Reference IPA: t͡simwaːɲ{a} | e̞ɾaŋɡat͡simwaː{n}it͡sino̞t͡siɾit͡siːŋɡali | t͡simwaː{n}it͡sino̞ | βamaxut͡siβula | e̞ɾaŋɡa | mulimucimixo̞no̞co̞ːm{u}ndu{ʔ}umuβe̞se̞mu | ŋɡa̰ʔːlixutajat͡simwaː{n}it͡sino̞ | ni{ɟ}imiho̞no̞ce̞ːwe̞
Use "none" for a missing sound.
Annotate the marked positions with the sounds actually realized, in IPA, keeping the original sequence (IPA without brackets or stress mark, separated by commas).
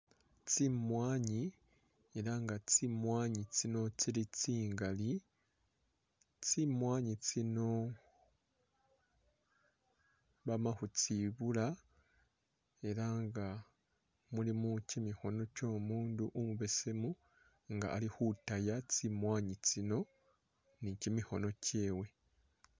i, ɲ, ɲ, uː, ʔ, ɲ, c